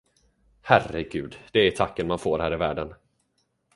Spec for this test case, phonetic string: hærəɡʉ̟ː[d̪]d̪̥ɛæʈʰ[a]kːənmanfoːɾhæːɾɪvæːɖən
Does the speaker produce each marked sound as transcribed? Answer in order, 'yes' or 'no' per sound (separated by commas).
yes, yes